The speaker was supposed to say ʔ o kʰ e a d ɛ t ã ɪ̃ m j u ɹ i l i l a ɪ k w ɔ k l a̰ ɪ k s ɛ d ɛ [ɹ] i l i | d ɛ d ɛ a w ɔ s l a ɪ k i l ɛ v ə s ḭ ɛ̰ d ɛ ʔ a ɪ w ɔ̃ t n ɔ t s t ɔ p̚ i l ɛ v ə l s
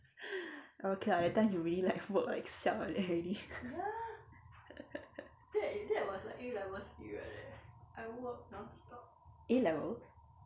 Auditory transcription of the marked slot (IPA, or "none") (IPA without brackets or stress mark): ɹ